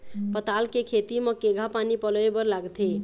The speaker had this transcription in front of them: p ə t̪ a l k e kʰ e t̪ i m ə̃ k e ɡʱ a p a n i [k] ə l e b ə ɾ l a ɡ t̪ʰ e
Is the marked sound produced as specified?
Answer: no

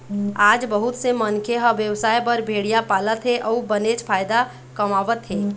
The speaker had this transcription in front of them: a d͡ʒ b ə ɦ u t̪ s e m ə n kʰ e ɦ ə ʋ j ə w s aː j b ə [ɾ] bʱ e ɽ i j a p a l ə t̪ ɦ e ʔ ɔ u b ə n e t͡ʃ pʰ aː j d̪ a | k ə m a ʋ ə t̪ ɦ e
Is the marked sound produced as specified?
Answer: yes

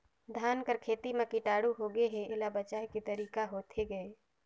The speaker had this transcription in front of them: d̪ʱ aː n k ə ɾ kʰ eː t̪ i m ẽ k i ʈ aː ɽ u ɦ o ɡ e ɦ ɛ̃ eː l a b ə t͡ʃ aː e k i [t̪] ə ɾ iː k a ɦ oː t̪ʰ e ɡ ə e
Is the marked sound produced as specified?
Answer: yes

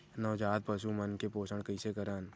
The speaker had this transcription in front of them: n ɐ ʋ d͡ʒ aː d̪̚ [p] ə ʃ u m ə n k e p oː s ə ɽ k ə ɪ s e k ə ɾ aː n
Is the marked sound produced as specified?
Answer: yes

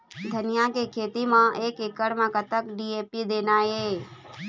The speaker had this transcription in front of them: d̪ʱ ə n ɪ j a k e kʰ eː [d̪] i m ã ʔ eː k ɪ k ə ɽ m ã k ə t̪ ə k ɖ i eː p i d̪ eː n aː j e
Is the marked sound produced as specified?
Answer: no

